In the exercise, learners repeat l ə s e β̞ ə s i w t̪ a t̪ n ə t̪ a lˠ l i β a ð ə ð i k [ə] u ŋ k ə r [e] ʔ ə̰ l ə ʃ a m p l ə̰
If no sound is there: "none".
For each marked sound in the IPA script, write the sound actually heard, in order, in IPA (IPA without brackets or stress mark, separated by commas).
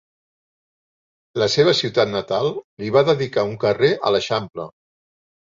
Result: a, e